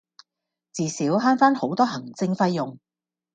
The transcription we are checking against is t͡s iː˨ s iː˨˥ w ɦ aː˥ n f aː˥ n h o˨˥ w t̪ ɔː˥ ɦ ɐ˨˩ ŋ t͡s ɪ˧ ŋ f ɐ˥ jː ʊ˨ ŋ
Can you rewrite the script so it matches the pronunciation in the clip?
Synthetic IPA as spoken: t͡s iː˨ s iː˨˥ w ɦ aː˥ n f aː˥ n h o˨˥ w t̪ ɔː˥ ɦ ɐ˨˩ ŋ t͡s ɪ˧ ŋ f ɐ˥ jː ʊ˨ ŋ